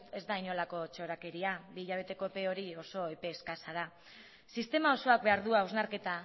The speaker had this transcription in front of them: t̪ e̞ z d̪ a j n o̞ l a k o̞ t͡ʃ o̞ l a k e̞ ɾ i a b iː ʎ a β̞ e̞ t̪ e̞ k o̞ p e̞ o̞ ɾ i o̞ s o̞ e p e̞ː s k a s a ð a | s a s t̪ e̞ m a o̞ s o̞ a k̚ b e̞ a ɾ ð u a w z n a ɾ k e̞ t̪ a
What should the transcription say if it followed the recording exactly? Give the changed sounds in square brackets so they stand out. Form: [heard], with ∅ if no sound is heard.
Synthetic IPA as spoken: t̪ e̞ z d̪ a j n o̞ l a k o̞ t͡ʃ o̞ [ɾ] a k e̞ ɾ i a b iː ʎ a β̞ e̞ t̪ e̞ k o̞ p e̞ o̞ ɾ i o̞ s o̞ e p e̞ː s k a s a ð a | s [i] s t̪ e̞ m a o̞ s o̞ a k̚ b e̞ a ɾ ð u a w z n a ɾ k e̞ t̪ a